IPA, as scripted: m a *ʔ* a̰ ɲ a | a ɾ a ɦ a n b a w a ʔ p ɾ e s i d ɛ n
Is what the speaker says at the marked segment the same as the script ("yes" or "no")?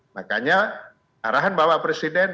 no